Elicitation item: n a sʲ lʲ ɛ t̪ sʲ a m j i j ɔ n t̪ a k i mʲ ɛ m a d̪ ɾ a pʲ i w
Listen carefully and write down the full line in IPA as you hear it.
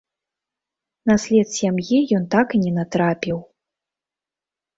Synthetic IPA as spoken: n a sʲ lʲ ɛ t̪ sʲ a m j i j ɔ n t̪ a k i nʲ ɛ n a t̪ ɾ a pʲ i w